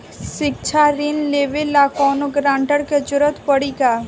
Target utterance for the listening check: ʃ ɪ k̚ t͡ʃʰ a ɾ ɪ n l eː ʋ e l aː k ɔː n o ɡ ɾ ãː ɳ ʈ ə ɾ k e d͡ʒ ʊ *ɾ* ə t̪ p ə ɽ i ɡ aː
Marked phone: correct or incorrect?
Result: correct